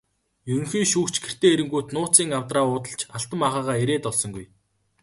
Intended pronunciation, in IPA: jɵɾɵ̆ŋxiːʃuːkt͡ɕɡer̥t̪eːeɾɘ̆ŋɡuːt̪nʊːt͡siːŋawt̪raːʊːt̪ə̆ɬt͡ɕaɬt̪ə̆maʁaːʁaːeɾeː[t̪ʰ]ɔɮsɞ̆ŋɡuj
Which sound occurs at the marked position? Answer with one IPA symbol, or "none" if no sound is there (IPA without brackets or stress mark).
t̪